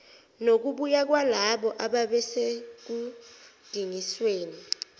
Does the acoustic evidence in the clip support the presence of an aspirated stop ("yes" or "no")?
no